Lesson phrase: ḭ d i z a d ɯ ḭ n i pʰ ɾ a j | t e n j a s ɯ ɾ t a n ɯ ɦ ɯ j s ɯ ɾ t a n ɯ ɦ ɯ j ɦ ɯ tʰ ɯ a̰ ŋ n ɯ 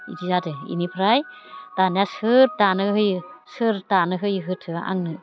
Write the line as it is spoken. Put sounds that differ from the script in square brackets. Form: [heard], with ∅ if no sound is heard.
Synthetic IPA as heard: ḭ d i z a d ɯ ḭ n i pʰ ɾ a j | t [a] n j a s ɯ ɾ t a n ɯ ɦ ɯ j s ɯ ɾ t a n ɯ ɦ ɯ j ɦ ɯ tʰ ɯ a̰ ŋ n ɯ